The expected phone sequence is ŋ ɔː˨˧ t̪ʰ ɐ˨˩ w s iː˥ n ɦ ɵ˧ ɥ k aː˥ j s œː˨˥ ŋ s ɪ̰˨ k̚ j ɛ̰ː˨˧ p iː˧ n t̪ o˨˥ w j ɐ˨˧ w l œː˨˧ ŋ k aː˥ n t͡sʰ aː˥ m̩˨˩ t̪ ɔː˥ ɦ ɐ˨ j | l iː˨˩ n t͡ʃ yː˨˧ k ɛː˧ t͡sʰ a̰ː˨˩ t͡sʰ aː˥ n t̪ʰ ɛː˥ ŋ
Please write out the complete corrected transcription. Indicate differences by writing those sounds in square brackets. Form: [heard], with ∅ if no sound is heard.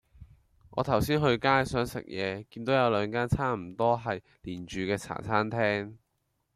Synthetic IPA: ŋ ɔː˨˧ t̪ʰ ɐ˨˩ w s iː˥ n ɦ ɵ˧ ɥ k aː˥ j s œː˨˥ ŋ s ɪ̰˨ k̚ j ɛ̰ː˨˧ [k] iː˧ n t̪ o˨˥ w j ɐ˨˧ w l œː˨˧ ŋ k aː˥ n t͡sʰ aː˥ m̩˨˩ t̪ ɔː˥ ɦ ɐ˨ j | l iː˨˩ n t͡ʃ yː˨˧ k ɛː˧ t͡sʰ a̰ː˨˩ t͡sʰ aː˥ n t̪ʰ ɛː˥ ŋ